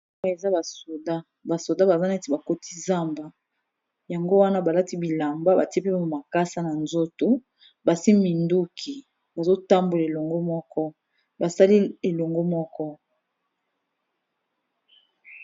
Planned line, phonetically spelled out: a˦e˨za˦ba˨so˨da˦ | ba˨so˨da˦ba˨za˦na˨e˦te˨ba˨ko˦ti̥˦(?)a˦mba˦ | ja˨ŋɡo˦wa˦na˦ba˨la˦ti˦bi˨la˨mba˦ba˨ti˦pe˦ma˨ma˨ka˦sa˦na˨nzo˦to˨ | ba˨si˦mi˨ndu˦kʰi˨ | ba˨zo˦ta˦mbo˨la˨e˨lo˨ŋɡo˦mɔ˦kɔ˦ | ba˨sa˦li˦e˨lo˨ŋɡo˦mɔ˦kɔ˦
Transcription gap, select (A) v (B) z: B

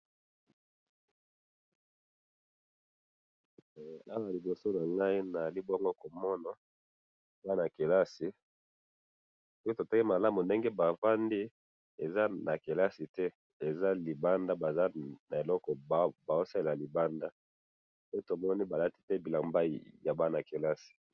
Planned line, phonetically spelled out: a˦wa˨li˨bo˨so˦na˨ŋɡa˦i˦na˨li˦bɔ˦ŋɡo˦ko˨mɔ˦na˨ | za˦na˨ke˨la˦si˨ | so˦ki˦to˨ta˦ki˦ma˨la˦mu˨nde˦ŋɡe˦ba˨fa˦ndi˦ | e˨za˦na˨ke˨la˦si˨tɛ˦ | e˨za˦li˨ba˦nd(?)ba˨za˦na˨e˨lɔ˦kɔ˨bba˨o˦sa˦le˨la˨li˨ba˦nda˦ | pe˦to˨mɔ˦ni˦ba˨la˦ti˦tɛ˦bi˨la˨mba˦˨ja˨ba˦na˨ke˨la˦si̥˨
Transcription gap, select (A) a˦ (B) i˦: A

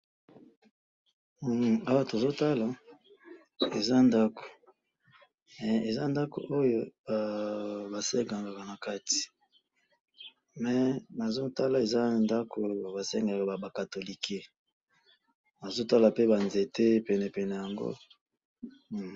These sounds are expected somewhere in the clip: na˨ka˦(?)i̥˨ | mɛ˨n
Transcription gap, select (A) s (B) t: B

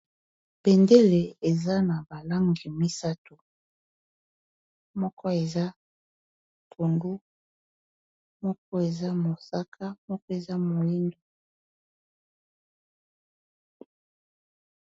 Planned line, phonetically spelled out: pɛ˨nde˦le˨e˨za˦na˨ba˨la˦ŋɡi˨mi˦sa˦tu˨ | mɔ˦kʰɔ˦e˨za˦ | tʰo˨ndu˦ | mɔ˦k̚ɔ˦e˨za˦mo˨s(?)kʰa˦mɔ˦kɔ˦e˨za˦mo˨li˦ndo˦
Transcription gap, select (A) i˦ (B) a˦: B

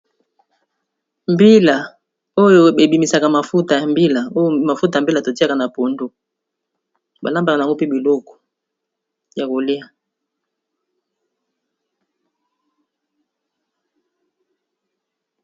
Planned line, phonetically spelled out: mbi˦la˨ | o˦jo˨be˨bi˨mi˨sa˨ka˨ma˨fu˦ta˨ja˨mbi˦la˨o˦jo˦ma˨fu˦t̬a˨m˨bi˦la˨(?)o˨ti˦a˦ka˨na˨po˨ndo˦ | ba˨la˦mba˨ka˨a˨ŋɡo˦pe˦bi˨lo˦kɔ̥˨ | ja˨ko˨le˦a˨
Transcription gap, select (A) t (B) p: A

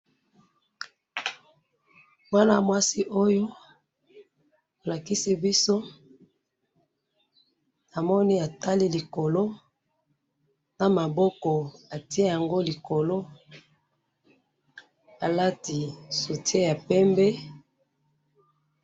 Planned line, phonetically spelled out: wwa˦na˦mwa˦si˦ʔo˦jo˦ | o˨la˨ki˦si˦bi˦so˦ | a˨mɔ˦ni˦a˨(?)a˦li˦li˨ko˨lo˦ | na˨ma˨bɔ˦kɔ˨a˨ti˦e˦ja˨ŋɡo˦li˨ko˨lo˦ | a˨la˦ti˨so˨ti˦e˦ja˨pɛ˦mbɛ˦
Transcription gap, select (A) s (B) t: B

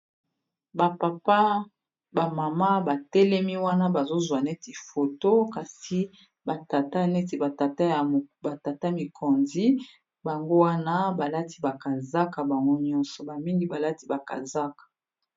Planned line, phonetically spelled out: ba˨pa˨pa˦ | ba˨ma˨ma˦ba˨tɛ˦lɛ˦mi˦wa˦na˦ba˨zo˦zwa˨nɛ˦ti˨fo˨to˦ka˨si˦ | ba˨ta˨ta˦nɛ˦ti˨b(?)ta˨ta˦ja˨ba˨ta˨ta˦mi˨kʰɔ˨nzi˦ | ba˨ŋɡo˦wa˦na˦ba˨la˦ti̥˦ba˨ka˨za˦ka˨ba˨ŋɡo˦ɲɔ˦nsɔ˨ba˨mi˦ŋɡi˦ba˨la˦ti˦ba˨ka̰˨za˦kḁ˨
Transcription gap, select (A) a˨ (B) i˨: A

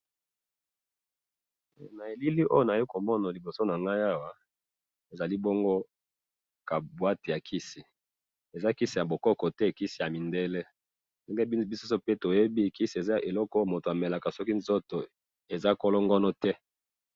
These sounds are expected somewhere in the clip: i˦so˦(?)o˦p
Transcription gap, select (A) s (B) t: A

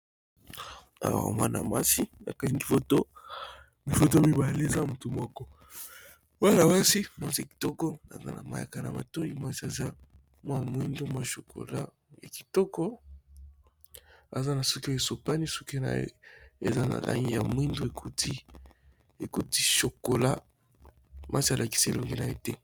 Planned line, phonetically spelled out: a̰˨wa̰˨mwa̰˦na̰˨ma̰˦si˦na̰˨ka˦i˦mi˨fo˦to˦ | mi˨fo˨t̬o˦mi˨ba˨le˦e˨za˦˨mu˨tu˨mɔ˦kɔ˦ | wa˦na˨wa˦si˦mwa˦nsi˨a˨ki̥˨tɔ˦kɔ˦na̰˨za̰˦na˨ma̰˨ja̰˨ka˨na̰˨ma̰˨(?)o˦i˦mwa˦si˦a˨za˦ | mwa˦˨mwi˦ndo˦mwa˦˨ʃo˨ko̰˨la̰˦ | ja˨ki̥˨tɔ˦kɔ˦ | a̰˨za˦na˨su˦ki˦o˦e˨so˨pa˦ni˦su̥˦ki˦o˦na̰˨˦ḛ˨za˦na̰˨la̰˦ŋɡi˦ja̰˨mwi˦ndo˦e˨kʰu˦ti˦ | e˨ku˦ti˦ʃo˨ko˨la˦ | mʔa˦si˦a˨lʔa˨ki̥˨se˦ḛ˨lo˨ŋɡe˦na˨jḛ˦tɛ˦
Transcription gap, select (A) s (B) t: B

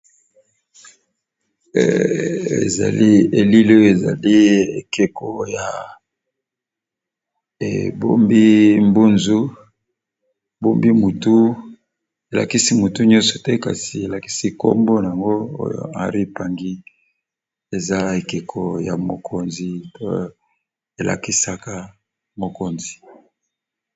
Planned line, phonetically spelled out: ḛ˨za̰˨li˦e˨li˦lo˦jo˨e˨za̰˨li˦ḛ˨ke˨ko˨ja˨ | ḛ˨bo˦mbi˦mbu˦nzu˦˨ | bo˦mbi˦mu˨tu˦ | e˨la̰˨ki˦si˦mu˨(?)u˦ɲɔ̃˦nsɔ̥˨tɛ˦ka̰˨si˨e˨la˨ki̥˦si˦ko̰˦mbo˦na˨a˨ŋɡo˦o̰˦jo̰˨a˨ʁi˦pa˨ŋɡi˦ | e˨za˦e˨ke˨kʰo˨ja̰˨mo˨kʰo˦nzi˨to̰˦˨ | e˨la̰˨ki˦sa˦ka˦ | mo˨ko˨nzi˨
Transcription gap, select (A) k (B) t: B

